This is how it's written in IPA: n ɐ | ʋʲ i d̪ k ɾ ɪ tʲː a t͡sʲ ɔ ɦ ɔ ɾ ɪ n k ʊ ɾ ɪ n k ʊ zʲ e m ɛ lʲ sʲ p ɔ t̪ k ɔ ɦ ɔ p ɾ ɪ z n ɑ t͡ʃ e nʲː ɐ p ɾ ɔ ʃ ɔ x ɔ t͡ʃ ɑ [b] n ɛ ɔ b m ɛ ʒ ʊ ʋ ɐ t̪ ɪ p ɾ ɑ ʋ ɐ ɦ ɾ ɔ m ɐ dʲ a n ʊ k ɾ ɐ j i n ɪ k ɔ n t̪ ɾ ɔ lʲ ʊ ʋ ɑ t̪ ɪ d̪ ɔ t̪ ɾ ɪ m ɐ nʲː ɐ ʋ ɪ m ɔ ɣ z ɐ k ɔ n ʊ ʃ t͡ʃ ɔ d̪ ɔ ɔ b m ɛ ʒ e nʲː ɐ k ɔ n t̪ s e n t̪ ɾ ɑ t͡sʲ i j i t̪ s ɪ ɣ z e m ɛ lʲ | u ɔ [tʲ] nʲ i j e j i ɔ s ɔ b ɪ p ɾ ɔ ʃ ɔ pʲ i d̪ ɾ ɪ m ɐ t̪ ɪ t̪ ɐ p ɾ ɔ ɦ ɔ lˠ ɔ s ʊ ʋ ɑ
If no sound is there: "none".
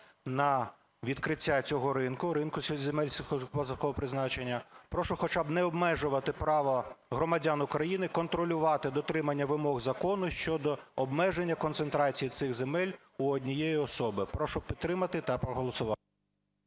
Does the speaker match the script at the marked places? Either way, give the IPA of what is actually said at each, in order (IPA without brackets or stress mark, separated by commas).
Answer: b, dʲ